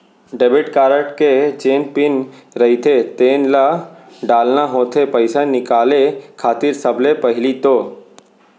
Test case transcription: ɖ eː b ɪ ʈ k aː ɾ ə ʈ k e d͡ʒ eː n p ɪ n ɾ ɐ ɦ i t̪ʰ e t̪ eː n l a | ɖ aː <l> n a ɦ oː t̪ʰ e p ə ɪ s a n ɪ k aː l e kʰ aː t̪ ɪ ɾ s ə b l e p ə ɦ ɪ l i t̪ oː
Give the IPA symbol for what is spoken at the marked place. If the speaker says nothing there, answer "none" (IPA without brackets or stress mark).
l